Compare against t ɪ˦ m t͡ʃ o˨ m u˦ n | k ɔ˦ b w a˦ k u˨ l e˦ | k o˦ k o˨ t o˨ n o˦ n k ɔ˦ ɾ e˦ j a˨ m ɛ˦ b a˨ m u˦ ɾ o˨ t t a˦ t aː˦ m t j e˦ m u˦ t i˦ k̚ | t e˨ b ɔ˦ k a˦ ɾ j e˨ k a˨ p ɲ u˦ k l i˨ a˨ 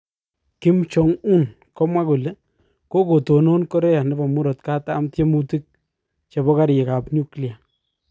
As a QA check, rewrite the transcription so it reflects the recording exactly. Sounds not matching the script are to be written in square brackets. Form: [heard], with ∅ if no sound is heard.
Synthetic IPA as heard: [k] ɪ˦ m t͡ʃ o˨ [ŋ] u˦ n | k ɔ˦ [m] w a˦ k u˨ l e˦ | k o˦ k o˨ t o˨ n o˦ n k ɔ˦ ɾ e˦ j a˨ [n] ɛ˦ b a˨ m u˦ ɾ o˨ t [k] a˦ t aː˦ m t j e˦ m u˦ t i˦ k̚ | [t͡ʃ] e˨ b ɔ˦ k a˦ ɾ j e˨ k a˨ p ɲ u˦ k l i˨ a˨